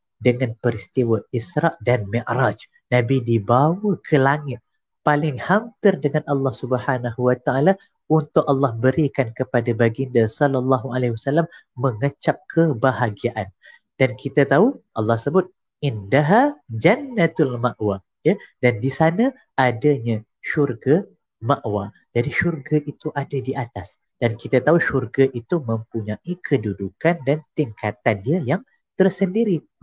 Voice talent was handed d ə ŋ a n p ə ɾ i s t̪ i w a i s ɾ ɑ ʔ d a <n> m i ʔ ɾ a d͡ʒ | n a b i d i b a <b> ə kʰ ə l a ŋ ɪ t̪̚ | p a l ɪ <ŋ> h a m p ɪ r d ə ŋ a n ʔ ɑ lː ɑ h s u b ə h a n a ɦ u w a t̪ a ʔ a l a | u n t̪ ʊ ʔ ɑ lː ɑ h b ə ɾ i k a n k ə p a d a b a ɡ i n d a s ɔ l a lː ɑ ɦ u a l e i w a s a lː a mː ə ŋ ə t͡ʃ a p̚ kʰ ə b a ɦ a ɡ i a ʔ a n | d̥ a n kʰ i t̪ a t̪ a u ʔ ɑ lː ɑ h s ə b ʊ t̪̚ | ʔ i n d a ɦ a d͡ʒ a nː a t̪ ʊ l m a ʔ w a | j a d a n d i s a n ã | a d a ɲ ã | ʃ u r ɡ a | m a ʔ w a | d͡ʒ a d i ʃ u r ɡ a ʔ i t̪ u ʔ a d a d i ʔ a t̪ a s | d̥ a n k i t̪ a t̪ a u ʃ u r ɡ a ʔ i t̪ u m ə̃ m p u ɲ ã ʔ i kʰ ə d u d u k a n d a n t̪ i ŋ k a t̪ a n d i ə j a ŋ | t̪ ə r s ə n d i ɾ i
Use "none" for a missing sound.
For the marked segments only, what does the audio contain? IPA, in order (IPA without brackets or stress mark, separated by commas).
n, w, ŋ